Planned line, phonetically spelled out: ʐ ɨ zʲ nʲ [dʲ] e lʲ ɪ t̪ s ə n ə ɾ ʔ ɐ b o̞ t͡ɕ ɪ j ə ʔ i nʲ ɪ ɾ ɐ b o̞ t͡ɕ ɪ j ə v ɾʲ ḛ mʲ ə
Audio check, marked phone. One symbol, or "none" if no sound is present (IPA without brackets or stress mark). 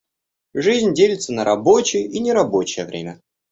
dʲ